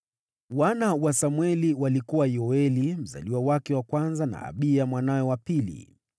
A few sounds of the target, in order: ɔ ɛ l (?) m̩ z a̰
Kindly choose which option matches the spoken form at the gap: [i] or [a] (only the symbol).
i